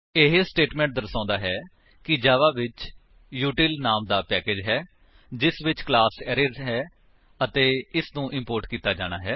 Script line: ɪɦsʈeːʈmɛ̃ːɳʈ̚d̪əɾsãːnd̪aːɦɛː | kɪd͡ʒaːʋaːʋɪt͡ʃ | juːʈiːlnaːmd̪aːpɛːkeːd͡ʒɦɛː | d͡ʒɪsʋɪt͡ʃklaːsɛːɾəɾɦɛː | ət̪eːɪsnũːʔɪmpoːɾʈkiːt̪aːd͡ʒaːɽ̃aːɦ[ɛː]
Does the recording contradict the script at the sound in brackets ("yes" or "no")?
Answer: no